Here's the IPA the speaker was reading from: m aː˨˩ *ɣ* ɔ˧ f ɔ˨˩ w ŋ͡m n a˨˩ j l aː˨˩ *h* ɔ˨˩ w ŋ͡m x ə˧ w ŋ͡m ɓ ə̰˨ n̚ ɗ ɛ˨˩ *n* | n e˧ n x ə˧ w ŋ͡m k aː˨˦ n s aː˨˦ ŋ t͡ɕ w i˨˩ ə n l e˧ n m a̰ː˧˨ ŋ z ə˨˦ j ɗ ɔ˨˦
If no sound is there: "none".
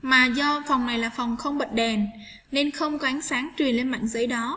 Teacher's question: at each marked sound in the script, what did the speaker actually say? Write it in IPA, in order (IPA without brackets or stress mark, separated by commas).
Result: z, f, n